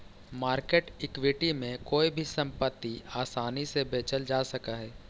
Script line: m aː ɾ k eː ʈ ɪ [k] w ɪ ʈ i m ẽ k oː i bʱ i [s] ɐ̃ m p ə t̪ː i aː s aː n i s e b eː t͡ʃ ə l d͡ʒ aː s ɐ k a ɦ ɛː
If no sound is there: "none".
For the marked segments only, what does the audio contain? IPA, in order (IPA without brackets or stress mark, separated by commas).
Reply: k, s